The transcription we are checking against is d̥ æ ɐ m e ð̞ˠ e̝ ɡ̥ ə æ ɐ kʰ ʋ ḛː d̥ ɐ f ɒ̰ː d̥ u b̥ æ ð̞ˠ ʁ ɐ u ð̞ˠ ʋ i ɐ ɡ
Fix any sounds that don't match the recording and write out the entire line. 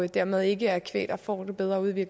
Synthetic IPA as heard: d̥ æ ɐ m e ð̞ˠ e̝ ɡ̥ ə æ ɐ kʰ ʋ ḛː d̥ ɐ f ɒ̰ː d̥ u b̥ e ð̞ˠ ʁ ɐ u ð̞ˠ ʋ i ɐ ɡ